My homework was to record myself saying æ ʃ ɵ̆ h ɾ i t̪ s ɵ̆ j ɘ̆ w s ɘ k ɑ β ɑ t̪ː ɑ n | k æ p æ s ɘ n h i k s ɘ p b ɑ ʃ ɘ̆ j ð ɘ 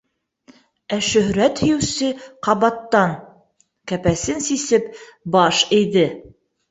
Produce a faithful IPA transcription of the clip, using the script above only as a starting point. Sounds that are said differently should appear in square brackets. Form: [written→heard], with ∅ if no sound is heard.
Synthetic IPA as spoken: æ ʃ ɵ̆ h ɾ [i→æ] t̪ [s→h] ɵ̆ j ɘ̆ w s ɘ [k→q] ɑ β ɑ t̪ː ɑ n | k æ p æ s ɘ n [h→s] i [k→∅] s ɘ p b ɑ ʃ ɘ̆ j ð ɘ